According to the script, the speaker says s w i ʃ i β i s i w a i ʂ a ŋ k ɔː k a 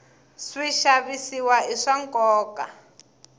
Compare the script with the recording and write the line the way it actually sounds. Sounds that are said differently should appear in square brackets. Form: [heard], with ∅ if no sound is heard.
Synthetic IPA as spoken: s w i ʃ [a] β i s i w a i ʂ a ŋ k ɔː k a